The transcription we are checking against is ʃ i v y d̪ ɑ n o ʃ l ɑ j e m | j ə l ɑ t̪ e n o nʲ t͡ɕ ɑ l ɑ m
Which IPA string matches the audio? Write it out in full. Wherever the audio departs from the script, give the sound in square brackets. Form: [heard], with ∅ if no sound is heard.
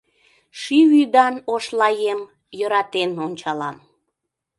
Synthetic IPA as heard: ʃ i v y d̪ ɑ n o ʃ l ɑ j e m | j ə [ɾ] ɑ t̪ e n o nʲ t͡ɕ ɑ l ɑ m